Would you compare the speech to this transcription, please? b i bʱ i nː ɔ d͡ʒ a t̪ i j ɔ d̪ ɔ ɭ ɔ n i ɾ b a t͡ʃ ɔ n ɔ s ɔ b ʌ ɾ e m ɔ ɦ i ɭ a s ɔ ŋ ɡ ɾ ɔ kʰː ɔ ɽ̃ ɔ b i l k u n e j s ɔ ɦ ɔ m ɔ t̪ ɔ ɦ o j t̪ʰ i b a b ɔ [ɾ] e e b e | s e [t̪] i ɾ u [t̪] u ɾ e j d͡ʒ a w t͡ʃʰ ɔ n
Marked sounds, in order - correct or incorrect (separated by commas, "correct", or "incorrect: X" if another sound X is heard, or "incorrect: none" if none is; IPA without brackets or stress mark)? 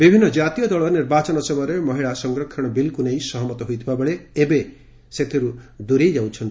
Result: incorrect: ɭ, incorrect: t̪ʰ, incorrect: d̪